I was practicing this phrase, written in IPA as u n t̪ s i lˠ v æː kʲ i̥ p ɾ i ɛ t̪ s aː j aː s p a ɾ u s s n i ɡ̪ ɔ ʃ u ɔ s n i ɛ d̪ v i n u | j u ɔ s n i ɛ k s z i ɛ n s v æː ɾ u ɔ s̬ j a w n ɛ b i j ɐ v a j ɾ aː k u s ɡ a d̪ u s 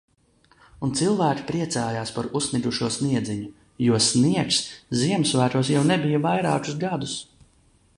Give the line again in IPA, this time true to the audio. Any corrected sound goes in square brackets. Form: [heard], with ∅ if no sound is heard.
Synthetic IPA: u n t̪ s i lˠ v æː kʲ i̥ p ɾ i ɛ t̪ s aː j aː s p a ɾ u s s n i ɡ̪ [u] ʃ u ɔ s n i ɛ d̪ [z] i [ɲ] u | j u ɔ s n i ɛ k s z i ɛ [m] s v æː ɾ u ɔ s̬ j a w n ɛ b i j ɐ v a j ɾ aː k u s ɡ a d̪ u s